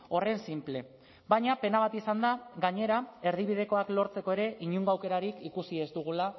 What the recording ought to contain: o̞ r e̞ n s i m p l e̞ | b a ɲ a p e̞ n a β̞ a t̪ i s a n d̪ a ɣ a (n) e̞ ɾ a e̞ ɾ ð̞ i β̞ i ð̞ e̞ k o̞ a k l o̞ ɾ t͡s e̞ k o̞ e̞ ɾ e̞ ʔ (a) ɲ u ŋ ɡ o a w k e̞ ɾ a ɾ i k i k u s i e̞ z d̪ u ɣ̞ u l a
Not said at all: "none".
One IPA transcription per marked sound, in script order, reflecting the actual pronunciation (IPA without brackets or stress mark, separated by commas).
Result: ɲ, i